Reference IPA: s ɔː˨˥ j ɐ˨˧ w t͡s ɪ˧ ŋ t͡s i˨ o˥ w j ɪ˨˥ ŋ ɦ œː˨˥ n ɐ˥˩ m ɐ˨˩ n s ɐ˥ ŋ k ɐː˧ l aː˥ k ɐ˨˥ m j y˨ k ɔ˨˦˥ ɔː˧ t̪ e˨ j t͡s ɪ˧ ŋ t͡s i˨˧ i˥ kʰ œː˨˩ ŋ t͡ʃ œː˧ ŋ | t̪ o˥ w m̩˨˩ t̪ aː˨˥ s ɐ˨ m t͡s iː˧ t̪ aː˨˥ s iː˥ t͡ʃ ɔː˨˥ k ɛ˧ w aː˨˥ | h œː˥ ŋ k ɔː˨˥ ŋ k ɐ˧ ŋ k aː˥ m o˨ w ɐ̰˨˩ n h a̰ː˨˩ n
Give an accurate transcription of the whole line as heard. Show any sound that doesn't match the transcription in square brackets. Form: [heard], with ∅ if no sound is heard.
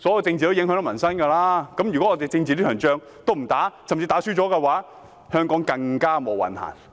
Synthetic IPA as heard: s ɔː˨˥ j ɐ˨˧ w t͡s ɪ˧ ŋ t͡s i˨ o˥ w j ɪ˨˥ ŋ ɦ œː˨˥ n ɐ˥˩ m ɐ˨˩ n s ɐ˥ [n] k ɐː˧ l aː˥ k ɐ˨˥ m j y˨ k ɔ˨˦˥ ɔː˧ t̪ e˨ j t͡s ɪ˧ ŋ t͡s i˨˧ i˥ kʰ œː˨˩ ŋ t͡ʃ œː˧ ŋ | t̪ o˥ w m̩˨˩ t̪ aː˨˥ s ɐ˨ m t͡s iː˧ t̪ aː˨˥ s [yː˥] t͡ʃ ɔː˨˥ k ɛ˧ w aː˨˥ | h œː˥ ŋ k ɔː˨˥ ŋ k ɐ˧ ŋ k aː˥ m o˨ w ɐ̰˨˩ n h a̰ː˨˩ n